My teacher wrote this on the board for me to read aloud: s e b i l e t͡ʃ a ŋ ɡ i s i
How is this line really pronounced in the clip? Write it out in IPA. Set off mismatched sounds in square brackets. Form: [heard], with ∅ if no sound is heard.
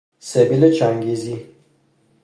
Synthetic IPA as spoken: s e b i l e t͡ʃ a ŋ ɡ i [z] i